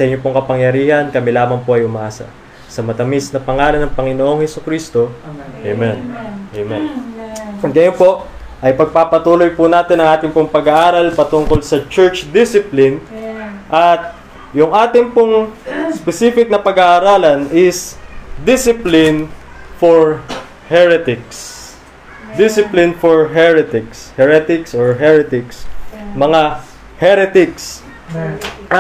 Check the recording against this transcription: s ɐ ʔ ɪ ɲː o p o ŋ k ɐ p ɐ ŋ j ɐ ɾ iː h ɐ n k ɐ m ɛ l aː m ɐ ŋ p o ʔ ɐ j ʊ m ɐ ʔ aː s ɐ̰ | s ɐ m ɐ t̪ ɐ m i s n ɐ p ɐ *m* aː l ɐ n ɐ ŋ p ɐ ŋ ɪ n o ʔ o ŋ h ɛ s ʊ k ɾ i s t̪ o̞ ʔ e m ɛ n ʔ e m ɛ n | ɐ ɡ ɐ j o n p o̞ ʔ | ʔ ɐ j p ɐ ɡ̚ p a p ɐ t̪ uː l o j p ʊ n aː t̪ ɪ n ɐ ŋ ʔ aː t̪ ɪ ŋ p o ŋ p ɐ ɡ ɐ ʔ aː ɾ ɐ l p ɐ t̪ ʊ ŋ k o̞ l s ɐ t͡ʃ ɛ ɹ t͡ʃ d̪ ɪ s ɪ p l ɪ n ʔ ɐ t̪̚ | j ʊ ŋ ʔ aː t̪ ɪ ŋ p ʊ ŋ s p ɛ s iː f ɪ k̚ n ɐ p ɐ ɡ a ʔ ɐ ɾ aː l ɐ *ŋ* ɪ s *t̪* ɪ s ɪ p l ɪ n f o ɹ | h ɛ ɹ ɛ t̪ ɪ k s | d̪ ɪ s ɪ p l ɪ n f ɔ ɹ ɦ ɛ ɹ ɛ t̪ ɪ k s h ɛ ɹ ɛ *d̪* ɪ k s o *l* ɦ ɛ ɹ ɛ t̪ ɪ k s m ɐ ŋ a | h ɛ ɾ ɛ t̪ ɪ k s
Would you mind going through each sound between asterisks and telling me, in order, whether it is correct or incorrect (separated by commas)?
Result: incorrect, incorrect, incorrect, incorrect, incorrect